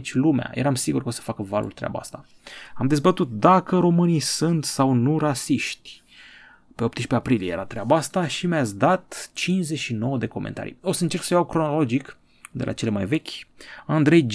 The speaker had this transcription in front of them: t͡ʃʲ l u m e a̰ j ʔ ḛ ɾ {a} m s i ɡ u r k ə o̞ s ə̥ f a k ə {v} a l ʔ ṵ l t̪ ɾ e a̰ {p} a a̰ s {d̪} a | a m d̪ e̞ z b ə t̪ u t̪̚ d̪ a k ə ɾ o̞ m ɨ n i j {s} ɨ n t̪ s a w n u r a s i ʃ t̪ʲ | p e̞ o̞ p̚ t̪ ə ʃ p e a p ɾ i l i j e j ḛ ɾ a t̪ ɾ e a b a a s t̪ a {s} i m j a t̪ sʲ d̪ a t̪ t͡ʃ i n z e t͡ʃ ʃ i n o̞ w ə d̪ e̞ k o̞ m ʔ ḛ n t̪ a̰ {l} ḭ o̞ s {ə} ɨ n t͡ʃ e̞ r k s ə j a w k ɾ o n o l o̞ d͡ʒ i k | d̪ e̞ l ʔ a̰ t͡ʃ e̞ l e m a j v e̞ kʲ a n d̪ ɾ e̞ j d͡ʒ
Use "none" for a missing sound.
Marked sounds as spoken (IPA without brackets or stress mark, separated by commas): a, v, b, t̪, s, ʃ, ɾ, ə